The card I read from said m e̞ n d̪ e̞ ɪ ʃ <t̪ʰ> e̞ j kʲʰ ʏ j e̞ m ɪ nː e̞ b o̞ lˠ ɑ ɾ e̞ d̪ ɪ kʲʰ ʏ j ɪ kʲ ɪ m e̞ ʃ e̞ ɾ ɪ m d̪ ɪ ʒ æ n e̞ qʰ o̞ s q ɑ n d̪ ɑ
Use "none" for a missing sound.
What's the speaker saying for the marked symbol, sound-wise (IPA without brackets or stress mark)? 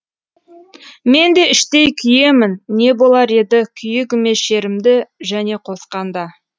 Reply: t̪